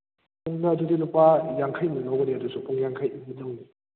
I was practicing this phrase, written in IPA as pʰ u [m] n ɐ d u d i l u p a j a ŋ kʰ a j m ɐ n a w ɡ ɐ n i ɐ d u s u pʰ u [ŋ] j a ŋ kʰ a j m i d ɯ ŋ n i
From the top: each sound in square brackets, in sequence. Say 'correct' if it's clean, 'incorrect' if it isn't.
incorrect, correct

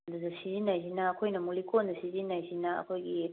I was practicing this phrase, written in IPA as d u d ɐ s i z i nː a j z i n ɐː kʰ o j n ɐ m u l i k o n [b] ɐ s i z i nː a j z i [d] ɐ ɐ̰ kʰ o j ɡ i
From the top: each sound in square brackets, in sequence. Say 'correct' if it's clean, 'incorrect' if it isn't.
incorrect, incorrect

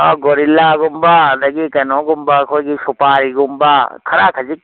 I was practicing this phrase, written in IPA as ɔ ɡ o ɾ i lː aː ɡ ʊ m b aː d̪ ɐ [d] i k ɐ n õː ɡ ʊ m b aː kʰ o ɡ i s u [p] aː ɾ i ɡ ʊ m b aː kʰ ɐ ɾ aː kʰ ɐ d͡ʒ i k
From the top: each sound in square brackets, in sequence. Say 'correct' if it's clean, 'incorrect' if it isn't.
incorrect, correct

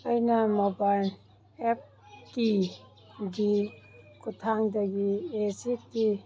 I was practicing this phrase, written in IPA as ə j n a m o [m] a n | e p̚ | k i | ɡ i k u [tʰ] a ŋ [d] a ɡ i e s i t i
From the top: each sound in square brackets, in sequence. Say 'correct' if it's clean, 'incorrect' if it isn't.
incorrect, correct, correct

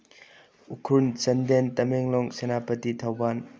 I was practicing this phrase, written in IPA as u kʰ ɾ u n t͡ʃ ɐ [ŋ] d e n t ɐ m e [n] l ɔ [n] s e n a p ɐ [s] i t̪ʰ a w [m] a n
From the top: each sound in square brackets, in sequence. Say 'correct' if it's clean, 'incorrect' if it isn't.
incorrect, incorrect, incorrect, incorrect, incorrect

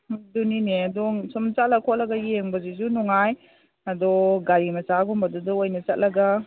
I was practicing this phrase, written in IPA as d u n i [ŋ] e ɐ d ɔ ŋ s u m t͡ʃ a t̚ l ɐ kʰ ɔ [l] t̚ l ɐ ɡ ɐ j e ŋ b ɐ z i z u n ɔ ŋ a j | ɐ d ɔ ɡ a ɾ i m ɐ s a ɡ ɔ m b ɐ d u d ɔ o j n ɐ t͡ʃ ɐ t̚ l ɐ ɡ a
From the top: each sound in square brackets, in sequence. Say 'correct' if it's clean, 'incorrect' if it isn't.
incorrect, incorrect

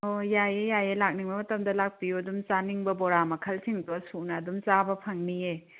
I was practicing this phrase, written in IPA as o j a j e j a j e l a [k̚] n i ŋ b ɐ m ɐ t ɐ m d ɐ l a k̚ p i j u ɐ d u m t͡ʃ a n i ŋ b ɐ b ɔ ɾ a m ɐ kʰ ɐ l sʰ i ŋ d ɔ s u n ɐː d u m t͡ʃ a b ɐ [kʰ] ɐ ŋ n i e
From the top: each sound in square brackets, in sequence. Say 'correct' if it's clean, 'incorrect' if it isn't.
correct, incorrect

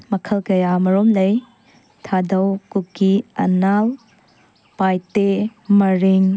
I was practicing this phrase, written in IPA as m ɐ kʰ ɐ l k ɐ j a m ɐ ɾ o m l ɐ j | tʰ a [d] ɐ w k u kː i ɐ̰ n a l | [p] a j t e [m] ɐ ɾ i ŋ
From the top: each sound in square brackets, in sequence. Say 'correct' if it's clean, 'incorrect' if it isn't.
correct, correct, correct

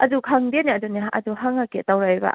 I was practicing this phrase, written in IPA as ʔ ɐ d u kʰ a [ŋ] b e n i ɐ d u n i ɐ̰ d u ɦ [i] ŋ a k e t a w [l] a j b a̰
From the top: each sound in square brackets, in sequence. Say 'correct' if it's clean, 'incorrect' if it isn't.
correct, incorrect, incorrect

